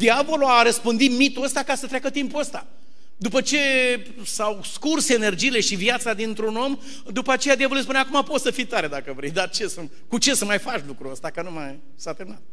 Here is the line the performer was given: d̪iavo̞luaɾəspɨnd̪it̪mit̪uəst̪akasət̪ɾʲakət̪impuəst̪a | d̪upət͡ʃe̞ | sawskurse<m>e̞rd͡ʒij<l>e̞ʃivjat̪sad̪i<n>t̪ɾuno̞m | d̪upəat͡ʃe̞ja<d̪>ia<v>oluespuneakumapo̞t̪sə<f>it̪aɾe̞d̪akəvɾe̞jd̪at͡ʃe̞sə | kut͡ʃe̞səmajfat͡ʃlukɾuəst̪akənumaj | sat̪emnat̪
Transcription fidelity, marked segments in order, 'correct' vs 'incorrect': incorrect: n, correct, correct, correct, correct, correct

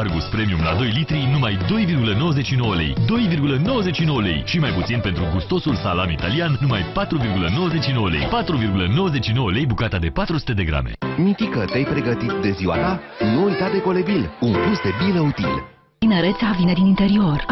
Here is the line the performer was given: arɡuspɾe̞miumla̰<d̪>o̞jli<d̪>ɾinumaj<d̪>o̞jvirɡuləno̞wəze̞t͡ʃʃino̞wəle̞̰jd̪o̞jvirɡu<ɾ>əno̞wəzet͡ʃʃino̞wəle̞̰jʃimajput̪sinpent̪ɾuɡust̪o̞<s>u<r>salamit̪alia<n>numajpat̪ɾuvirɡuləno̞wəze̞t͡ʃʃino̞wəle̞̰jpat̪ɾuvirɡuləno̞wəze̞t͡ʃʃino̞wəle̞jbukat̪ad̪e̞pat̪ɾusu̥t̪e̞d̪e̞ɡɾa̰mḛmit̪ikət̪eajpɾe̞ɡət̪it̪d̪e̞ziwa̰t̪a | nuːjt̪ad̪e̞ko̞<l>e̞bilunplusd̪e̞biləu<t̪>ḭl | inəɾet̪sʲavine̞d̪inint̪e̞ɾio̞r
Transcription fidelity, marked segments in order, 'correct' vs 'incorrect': correct, incorrect: t̪, correct, incorrect: l, correct, incorrect: l, correct, correct, correct

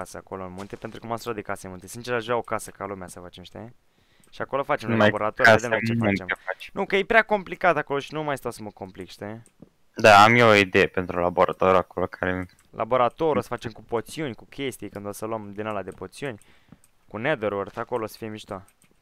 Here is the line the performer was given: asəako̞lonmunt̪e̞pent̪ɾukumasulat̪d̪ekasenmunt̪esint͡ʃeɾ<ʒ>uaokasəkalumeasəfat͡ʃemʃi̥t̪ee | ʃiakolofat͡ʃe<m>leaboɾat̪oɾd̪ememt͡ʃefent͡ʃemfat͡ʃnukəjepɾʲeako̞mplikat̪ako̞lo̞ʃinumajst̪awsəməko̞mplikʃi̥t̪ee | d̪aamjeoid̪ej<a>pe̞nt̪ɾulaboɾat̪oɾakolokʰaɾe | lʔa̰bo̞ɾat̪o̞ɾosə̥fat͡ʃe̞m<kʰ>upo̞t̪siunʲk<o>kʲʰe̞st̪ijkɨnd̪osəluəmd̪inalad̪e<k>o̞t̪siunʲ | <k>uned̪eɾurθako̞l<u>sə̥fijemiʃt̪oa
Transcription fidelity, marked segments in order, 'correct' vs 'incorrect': correct, correct, incorrect: e, incorrect: k, incorrect: u, incorrect: p, correct, incorrect: o

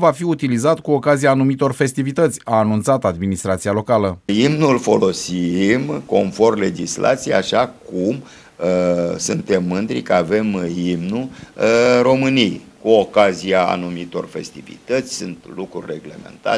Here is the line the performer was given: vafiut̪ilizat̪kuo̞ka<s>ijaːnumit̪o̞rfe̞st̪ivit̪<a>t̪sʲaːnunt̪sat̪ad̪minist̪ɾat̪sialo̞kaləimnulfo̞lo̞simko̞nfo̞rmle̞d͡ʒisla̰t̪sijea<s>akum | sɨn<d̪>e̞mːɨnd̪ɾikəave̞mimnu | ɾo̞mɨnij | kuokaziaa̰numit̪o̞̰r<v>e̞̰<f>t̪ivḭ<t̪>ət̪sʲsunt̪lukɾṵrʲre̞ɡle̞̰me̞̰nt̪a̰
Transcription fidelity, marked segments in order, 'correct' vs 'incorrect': incorrect: z, incorrect: ə, incorrect: ʃ, incorrect: t̪, incorrect: f, incorrect: s, correct

